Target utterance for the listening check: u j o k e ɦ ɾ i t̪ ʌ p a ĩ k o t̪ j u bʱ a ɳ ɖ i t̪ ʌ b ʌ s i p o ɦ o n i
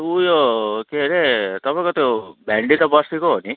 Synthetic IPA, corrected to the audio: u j o k e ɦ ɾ e t̪ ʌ p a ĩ k o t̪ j o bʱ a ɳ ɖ i t̪ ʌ b ʌ s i k o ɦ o n i